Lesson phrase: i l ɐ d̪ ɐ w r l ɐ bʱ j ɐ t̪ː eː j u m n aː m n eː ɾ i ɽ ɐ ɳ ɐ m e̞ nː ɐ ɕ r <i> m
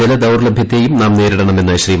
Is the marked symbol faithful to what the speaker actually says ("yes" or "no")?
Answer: no